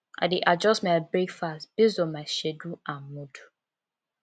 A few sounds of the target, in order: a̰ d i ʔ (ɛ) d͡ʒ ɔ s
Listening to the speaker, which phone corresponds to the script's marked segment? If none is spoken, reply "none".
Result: a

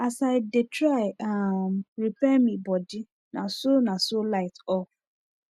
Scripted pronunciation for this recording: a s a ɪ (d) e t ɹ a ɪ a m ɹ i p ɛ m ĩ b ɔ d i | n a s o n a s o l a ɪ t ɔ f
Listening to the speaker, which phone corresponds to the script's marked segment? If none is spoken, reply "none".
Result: d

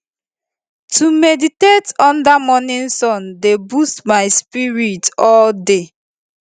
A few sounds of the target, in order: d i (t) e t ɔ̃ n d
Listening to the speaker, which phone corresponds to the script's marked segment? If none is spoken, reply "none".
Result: t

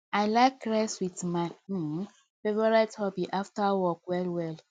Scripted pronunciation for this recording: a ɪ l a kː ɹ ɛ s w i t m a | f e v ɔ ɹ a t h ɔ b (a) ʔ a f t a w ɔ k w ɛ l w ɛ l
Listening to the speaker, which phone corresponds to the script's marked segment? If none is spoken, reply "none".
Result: i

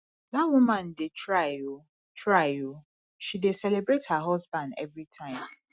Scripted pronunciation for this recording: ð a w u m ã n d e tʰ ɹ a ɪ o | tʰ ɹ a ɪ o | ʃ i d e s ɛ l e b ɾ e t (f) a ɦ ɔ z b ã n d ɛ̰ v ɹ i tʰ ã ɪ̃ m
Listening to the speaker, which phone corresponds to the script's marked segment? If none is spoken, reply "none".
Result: h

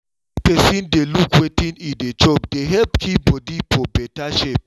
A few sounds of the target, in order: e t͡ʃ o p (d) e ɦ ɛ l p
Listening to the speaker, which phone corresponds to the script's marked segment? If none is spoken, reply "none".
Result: d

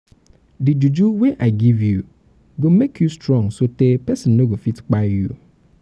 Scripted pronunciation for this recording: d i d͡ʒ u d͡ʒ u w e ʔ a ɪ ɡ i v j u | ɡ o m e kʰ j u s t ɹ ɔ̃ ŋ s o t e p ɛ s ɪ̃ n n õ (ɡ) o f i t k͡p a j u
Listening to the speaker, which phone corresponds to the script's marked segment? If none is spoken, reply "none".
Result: ɡ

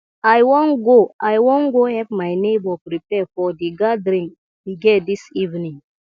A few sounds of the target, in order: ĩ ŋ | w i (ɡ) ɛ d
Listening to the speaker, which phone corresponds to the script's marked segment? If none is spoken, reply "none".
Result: ɡ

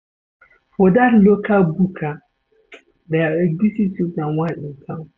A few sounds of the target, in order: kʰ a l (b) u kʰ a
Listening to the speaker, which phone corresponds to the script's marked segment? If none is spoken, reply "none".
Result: b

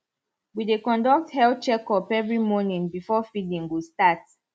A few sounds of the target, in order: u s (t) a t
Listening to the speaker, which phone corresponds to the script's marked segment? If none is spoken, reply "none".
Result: t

